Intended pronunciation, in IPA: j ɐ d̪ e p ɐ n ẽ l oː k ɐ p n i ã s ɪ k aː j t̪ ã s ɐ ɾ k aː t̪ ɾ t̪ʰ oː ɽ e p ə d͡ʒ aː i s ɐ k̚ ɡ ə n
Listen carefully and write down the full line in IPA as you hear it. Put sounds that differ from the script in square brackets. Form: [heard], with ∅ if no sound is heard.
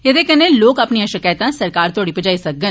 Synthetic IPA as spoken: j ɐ d̪ e [k] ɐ n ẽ l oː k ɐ p n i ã [ʃ] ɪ k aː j t̪ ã s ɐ ɾ k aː [∅] ɾ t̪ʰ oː ɽ [i] p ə d͡ʒ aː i s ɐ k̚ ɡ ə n